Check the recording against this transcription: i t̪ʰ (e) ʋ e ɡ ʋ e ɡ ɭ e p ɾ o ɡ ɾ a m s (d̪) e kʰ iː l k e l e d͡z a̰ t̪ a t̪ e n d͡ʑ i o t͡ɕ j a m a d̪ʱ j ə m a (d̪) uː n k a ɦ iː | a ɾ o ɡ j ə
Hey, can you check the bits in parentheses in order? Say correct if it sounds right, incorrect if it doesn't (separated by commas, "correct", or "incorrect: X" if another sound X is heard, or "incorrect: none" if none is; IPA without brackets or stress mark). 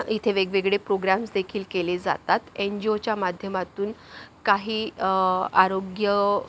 correct, correct, incorrect: t̪